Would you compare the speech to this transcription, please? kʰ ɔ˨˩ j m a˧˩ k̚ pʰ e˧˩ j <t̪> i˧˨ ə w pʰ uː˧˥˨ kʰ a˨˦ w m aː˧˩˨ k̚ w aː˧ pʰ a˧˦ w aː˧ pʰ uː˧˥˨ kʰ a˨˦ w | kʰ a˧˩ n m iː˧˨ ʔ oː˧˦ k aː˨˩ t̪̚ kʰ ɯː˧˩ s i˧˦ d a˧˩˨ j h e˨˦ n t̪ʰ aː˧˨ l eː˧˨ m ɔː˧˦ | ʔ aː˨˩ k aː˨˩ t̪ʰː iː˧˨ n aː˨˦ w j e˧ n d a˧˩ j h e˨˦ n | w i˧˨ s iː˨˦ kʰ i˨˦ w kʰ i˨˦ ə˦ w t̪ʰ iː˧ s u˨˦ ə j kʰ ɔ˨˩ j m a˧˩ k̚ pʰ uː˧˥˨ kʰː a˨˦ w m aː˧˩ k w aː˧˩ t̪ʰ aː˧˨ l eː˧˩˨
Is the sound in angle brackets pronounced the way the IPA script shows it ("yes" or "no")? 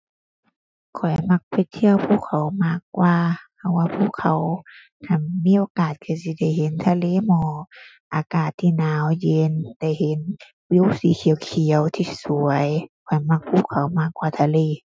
no